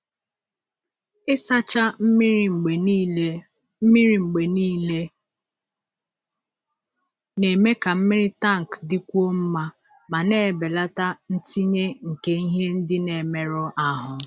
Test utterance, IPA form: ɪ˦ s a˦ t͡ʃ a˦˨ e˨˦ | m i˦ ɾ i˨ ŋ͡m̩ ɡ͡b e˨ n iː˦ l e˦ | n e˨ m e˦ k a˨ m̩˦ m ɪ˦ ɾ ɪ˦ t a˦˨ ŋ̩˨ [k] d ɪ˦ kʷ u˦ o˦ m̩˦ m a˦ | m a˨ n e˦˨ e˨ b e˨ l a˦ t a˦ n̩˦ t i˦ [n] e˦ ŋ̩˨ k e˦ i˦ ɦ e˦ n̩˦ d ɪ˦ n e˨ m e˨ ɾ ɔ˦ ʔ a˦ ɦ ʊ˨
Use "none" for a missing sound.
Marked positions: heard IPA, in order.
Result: k, ɲ

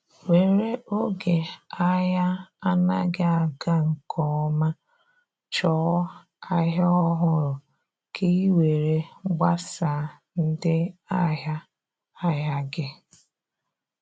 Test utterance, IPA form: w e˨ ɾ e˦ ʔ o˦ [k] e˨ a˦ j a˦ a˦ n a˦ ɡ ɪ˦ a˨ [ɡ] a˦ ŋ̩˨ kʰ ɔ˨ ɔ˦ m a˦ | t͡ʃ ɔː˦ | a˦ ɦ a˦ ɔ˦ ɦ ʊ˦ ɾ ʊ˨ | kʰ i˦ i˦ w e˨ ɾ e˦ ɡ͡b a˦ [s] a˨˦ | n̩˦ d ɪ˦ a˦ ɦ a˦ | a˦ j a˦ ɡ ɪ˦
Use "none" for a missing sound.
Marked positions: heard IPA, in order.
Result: ɡ, ɡ, s

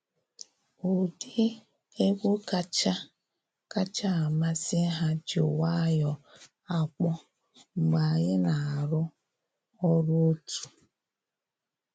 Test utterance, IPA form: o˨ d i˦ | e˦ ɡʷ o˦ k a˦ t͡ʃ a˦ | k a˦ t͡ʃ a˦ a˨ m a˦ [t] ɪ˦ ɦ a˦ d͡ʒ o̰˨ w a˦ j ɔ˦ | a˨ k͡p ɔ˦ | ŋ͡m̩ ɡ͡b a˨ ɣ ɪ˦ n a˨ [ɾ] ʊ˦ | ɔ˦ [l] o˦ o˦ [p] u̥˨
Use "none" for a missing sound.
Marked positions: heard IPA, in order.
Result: s, ɾ, ɾ, t

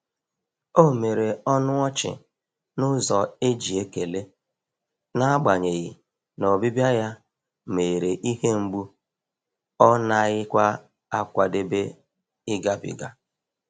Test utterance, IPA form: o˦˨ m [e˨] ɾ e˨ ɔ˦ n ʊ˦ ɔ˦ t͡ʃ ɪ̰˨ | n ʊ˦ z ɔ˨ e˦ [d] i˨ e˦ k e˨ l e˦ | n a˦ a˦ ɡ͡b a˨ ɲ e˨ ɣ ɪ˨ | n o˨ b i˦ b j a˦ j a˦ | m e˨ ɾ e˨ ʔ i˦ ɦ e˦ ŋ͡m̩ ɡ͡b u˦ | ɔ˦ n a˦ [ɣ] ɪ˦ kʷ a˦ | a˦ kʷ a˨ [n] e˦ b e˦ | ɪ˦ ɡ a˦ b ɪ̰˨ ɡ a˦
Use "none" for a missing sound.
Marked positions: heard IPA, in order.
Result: e˨, d͡ʒ, ɣ, d

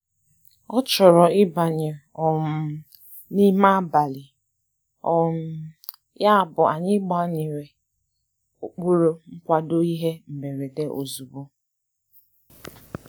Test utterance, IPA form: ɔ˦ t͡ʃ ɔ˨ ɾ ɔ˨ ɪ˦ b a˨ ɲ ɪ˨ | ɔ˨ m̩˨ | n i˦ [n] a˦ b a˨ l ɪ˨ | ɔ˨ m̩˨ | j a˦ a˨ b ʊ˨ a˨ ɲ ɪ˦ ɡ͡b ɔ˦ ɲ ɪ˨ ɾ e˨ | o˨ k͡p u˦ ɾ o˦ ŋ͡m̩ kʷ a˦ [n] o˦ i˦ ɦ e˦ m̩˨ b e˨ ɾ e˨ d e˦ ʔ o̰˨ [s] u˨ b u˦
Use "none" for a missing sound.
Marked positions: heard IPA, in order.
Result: m, d, z

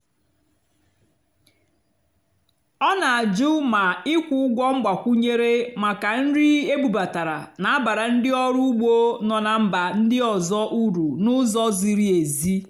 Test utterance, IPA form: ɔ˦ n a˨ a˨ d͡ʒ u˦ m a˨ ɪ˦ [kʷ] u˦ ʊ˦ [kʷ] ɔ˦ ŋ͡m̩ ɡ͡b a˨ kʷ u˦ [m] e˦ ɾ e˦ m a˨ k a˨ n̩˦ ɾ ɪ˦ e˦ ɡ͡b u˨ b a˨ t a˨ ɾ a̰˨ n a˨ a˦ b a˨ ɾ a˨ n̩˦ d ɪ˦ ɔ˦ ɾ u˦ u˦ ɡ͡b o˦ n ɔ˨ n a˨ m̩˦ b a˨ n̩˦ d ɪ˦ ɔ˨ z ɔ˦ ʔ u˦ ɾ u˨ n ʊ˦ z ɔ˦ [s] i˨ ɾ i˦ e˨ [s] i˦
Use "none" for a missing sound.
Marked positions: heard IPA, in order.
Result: kʷ, ɡʷ, ɲ, z, z

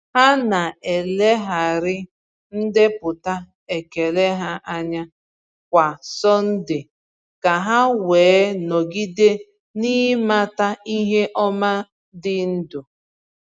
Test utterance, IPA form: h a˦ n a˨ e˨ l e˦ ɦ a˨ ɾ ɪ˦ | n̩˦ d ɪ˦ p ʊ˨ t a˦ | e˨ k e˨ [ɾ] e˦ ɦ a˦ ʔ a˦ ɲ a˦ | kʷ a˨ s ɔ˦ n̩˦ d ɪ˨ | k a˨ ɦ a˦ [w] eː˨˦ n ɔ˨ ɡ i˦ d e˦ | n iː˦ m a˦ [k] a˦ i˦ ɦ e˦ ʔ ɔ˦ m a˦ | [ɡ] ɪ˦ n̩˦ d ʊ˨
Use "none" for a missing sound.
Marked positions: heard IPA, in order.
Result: l, w, t, d

